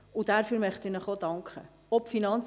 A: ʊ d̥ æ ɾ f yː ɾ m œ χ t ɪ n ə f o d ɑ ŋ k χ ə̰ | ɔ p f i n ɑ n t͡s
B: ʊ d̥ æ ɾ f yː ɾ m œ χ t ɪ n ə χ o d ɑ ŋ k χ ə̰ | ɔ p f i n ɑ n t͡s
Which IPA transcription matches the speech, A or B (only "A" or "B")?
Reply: B